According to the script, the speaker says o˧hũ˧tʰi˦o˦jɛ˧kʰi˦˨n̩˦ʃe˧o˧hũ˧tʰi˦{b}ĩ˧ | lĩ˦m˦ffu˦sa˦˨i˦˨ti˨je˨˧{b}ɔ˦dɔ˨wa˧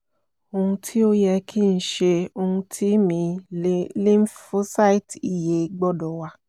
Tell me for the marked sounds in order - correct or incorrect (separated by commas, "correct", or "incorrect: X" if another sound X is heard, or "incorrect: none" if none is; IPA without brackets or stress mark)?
incorrect: m, incorrect: ɡ͡b